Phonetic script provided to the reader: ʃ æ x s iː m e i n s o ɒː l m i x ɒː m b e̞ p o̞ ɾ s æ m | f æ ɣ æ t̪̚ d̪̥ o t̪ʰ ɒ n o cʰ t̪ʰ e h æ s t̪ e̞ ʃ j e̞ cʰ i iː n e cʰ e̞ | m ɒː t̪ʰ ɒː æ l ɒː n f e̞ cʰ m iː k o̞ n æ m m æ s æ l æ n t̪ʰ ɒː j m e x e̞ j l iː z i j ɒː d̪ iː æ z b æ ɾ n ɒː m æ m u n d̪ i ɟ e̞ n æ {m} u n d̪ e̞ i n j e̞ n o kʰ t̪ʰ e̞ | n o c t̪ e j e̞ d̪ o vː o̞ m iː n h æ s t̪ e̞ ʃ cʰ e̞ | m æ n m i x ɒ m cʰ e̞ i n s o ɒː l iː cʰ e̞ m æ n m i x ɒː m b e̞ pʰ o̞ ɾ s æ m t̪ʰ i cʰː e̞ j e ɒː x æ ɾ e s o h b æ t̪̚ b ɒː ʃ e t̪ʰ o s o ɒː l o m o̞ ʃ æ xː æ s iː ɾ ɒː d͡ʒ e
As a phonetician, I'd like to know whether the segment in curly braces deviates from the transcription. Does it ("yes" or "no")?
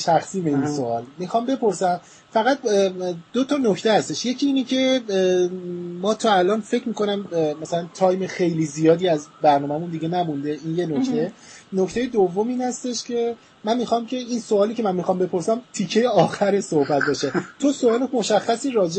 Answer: no